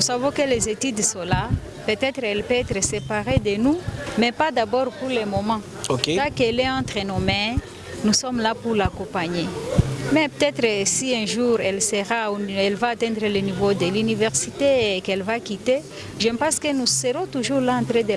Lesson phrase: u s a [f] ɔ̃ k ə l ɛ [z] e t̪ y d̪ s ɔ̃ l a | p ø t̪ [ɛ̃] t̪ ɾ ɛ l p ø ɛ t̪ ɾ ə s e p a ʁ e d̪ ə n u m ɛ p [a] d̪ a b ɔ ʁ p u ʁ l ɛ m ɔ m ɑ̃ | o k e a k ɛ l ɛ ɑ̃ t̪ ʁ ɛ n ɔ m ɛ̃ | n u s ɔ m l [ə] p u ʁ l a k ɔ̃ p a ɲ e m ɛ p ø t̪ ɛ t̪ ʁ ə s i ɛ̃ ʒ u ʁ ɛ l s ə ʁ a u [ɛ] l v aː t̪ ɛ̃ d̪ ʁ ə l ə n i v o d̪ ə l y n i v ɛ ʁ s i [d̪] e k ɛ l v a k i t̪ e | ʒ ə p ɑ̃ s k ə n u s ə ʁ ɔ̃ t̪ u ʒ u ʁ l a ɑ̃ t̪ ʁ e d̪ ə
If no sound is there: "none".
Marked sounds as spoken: v, z, ɛ, a, a, ɛ, t̪

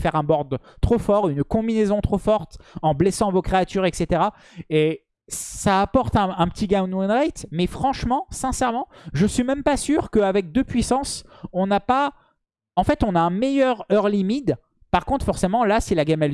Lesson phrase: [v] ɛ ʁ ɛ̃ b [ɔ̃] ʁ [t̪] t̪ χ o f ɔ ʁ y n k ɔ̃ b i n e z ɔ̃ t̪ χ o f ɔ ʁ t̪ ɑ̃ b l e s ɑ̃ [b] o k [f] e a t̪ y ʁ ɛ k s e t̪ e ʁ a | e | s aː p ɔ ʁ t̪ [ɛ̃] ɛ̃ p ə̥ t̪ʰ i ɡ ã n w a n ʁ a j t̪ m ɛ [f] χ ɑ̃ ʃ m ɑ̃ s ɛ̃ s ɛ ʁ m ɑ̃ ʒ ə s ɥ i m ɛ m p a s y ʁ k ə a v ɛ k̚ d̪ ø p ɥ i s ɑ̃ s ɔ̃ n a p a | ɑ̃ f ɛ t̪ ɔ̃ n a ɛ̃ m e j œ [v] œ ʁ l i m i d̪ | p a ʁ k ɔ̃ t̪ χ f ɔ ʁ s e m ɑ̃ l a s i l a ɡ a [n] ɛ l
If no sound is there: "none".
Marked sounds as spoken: f, ɔ, d̪, v, χ, ɛ̃, f, ʁ, m

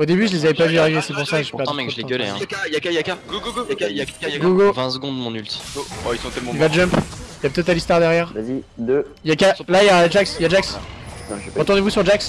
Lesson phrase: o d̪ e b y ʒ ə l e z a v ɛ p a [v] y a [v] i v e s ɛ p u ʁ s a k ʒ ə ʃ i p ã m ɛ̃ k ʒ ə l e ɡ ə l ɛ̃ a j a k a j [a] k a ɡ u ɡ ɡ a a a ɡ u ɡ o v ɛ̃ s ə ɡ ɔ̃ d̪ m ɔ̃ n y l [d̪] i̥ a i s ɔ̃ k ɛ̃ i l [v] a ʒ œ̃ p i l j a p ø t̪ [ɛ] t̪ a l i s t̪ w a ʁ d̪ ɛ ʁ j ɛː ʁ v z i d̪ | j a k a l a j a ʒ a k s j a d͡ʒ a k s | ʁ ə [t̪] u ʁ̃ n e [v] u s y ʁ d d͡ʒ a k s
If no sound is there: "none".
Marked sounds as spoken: v, ʁ, a, t̪, v, ɛ, t̪, v

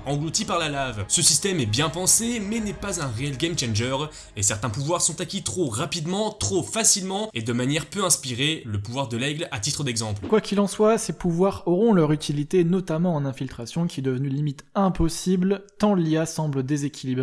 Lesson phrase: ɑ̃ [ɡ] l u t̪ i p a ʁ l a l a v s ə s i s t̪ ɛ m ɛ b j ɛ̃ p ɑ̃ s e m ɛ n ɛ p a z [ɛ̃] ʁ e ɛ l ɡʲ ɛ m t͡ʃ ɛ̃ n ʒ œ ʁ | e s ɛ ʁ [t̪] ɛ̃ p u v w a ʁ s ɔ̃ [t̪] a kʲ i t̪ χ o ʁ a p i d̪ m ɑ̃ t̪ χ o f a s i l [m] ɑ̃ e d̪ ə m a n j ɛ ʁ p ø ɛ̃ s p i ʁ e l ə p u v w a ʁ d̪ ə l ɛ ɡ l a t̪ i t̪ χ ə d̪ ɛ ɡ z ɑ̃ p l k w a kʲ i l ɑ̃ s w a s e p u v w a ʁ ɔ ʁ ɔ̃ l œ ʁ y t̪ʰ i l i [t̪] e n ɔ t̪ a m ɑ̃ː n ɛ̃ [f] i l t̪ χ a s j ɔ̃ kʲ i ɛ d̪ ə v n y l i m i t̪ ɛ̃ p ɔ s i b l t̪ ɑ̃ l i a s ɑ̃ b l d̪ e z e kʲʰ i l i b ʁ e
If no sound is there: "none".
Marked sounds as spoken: ɡ, ɛ̃, t̪, t̪, m, t̪, f

